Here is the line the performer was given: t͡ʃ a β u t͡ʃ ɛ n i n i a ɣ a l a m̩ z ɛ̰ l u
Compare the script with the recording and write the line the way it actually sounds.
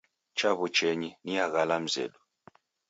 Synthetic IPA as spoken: t͡ʃ a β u t͡ʃ ɛ ɲ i n i a ɣ a l a m̩ z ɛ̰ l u